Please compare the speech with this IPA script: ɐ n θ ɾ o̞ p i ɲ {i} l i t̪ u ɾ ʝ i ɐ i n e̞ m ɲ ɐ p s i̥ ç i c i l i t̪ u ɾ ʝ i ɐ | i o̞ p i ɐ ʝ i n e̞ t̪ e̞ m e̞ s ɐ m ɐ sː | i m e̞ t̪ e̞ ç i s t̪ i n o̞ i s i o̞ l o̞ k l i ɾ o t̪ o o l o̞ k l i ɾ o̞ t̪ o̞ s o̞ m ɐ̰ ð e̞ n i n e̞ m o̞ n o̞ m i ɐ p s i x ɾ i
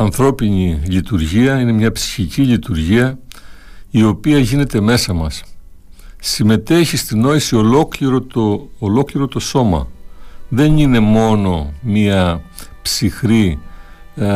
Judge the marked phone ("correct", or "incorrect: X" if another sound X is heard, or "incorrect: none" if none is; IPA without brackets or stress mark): correct